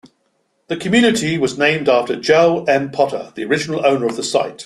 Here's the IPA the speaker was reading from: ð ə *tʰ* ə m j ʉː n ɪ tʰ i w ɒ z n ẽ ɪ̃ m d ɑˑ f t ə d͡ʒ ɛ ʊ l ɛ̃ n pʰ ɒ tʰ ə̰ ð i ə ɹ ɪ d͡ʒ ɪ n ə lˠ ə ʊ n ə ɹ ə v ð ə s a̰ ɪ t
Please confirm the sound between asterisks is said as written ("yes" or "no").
no